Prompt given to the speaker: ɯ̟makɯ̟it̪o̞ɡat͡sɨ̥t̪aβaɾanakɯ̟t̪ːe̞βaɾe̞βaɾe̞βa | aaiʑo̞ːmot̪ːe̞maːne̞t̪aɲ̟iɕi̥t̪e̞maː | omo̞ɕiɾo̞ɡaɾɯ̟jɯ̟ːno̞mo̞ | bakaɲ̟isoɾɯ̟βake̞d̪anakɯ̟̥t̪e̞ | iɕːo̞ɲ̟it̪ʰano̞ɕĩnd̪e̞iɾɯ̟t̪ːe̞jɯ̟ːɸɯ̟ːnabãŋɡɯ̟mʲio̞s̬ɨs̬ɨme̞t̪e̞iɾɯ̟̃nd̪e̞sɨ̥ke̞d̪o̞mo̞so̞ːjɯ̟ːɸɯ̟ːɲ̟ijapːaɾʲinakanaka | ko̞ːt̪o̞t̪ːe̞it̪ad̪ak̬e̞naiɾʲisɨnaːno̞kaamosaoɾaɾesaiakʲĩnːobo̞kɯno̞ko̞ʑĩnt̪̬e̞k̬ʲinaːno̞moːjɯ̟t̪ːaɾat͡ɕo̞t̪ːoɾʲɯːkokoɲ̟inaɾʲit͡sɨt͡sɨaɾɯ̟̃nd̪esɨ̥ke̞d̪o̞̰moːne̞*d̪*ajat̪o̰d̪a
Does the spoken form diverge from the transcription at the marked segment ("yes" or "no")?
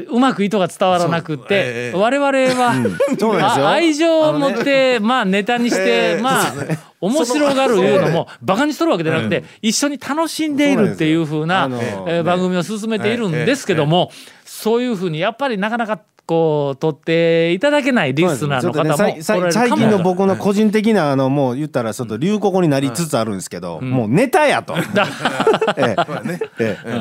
yes